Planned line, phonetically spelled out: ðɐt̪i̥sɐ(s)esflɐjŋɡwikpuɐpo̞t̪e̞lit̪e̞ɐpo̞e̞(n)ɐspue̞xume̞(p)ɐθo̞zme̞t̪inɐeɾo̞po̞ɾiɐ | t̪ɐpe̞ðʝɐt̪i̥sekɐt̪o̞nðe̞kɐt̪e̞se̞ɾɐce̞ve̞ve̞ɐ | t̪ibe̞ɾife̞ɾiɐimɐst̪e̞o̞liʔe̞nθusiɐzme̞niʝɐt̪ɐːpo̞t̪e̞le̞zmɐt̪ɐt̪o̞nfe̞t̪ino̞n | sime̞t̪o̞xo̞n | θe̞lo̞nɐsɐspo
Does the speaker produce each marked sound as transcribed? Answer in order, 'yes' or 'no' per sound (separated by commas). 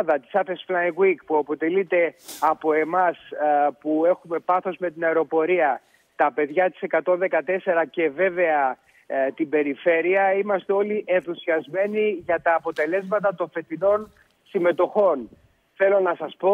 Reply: no, no, yes